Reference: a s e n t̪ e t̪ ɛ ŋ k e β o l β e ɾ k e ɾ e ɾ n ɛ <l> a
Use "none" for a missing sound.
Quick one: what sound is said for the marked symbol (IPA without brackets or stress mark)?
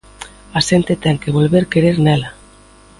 l